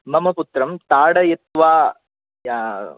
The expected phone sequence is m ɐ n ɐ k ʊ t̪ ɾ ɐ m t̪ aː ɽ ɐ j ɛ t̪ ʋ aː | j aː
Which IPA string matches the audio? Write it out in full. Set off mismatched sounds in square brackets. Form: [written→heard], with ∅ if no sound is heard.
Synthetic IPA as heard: m ɐ [n→m] ɐ [k→p] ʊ t̪ ɾ ɐ m t̪ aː ɽ ɐ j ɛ t̪ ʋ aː | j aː